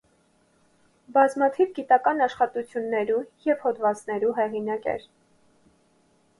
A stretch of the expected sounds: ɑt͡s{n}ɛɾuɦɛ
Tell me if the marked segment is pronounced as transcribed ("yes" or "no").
yes